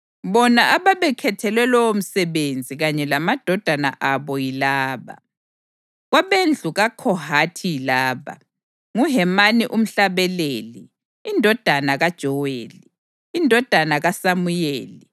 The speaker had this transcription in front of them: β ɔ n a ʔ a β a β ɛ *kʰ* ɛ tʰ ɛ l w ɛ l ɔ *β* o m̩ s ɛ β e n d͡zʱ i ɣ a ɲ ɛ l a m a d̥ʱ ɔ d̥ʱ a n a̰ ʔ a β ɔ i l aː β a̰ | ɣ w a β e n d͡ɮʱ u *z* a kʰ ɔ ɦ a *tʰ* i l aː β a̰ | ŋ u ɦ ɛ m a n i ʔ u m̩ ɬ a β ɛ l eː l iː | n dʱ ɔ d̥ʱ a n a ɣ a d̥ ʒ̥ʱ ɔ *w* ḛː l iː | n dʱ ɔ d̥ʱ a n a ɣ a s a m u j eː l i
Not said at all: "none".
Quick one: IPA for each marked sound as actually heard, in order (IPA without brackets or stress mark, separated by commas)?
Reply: kʰ, w, ɣ, tʰ, w